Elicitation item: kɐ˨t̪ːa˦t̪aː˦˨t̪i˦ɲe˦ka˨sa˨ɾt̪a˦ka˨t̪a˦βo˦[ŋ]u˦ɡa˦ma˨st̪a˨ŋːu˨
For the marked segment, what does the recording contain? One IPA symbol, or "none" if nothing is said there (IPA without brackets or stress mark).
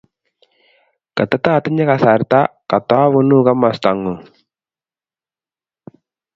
n